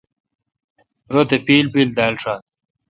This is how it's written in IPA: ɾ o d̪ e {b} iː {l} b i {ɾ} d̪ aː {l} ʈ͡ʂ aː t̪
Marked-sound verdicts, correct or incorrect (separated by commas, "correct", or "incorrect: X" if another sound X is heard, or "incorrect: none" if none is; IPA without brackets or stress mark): incorrect: p, correct, incorrect: l, correct